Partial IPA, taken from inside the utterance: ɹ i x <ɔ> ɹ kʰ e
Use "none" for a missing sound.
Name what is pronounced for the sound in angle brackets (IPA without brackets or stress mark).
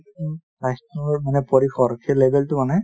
ɔ